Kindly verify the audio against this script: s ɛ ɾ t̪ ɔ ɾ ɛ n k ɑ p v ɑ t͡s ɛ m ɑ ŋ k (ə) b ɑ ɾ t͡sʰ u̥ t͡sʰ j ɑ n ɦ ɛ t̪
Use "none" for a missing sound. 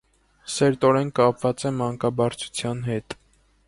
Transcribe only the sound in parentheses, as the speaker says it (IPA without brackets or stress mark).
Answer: ɑ